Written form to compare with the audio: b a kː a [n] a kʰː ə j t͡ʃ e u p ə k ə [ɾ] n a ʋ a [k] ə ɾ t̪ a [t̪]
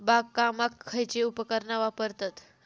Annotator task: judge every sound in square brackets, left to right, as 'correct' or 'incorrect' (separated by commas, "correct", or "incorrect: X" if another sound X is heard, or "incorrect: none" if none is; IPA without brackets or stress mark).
incorrect: m, correct, incorrect: p, correct